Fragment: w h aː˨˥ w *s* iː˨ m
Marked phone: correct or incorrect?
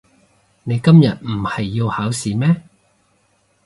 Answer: correct